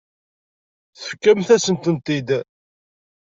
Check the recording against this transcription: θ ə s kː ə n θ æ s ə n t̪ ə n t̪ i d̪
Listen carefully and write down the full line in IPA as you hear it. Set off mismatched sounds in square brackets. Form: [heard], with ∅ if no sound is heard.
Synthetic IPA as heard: θ ə [f] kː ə [m] θ æ s ə n t̪ ə n t̪ i d̪